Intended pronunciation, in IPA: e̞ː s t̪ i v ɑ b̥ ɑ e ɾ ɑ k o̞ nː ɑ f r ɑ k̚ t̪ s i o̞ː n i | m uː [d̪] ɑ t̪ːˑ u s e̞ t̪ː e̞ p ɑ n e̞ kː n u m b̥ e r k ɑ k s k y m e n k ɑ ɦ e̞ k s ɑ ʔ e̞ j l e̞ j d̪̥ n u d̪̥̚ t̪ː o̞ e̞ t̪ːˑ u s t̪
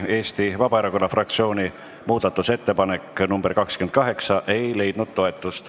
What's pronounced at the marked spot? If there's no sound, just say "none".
d̪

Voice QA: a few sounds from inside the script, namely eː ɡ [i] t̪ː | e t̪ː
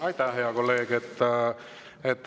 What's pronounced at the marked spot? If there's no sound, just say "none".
e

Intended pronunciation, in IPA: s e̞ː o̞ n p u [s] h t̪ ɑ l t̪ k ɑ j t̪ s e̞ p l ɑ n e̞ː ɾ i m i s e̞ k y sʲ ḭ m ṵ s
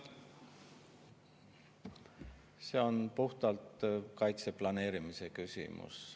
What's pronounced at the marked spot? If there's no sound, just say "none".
none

